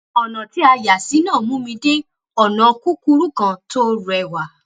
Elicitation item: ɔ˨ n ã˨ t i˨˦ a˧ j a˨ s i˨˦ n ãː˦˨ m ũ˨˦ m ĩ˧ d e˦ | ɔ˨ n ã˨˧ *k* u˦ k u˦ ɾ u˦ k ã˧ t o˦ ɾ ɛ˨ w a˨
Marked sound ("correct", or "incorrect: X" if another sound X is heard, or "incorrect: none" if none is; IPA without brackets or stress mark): correct